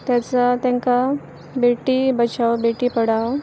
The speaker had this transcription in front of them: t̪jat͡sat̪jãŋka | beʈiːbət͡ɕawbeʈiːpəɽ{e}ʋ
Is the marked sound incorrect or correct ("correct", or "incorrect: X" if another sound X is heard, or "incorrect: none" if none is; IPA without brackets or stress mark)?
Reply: incorrect: a